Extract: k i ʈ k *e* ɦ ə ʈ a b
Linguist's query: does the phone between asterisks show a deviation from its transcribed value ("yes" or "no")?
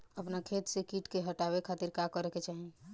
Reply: no